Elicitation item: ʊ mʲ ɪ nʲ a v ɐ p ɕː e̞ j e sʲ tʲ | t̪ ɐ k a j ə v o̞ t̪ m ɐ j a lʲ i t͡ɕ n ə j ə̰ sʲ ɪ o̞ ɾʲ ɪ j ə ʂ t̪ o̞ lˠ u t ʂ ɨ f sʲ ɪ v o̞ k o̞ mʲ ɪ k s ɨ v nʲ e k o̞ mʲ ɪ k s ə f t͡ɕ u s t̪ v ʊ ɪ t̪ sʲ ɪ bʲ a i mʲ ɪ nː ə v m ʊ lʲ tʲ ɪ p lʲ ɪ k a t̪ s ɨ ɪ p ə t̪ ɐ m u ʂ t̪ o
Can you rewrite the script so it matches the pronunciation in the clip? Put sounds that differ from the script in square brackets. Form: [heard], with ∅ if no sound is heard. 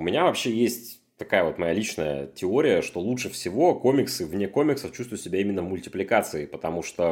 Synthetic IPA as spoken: ʊ mʲ ɪ nʲ a v ɐ p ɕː e̞ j e sʲ tʲ | t̪ ɐ k a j ə v o̞ t̪ m ɐ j a lʲ i t͡ɕ n ə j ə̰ [tʲ] ɪ o̞ ɾʲ ɪ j ə ʂ t̪ o̞ lˠ u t ʂ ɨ f sʲ ɪ v o̞ k o̞ mʲ ɪ k s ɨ v nʲ e k o̞ mʲ ɪ k s ə f t͡ɕ u s t̪ v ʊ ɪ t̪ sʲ ɪ bʲ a i mʲ ɪ nː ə v m ʊ lʲ tʲ ɪ p lʲ ɪ k a t̪ s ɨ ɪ p ə t̪ ɐ m u ʂ t̪ o